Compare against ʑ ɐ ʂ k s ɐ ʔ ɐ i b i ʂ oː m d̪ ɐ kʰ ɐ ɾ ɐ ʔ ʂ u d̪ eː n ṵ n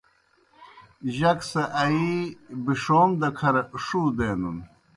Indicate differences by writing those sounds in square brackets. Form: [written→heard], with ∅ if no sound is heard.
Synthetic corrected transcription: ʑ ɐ [ʂ→∅] k s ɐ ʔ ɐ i b i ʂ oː m d̪ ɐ kʰ ɐ ɾ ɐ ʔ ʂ u d̪ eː n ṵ n